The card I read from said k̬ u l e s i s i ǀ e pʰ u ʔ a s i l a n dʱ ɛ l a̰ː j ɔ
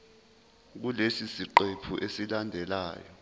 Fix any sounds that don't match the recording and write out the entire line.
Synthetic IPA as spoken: k̬ u l e s i s i ǃ e pʰ u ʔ e s i l a n dʱ ɛ l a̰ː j ɔ